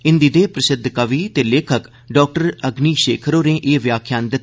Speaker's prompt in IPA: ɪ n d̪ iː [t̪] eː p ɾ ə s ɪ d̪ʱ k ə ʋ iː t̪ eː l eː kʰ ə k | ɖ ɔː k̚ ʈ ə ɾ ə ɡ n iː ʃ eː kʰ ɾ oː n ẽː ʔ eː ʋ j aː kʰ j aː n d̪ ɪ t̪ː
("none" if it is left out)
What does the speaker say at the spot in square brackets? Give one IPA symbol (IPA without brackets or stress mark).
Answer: d̪